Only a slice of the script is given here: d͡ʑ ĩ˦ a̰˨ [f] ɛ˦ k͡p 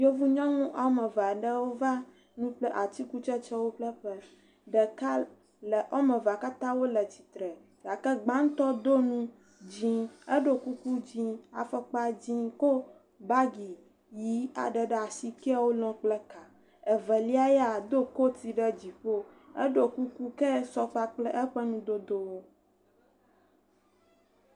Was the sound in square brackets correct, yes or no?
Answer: yes